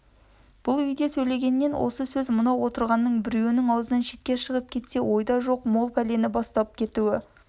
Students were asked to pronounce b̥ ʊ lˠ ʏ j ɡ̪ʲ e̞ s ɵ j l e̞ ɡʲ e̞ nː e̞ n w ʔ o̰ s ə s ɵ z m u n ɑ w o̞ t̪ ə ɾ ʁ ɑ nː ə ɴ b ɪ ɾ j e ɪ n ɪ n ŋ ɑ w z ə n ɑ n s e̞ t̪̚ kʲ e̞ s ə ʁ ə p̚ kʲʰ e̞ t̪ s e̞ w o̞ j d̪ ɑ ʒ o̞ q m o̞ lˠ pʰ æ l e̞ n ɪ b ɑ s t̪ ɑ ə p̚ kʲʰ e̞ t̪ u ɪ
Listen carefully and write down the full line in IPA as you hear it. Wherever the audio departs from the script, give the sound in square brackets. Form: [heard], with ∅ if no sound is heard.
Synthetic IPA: b̥ ʊ lˠ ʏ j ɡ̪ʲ e̞ s ɵ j l e̞ ɡʲ e̞ nː e̞ n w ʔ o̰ s ə s ɵ z m [ʊ] n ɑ w o̞ t̪ ə ɾ ʁ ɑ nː ə ɴ b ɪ ɾ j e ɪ n ɪ [∅] ŋ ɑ w z ə n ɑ n [ʃ] e̞ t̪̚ kʲ e̞ [ʃ] ə ʁ ə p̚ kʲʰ e̞ t̪ s e̞ w o̞ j d̪ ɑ ʒ o̞ q m o̞ lˠ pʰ æ l e̞ n ɪ b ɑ s t̪ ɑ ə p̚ kʲʰ e̞ t̪ u ɪ